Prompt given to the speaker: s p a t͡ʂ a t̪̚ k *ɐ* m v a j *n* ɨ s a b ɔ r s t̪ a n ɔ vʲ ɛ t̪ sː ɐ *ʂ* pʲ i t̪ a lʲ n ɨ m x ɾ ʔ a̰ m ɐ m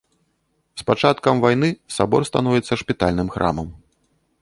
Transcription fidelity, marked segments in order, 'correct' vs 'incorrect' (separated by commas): correct, correct, correct